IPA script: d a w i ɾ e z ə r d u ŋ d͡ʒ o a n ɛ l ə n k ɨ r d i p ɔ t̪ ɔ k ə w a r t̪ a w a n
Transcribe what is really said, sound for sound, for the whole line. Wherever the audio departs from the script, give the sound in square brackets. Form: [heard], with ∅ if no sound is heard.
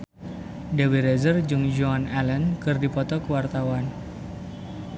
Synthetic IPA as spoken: d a w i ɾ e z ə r [d͡ʒ] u ŋ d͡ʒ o a n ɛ l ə n k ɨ r d i p ɔ t̪ ɔ k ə w a r t̪ a w a n